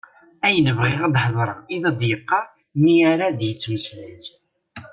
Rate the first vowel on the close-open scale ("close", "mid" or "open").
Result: open